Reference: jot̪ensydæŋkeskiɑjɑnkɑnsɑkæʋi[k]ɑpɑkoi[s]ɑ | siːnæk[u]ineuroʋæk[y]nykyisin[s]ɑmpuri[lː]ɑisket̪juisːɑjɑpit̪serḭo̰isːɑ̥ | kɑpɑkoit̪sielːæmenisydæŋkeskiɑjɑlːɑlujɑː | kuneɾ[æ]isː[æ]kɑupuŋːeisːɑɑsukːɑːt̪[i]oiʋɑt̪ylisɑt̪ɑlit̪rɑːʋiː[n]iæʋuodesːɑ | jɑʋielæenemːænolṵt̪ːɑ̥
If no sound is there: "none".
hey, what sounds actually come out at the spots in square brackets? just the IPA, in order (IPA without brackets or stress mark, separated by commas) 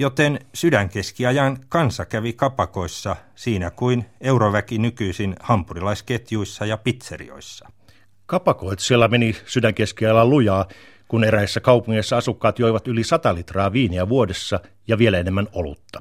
k, sː, u, i, h, l, æ, æ, j, n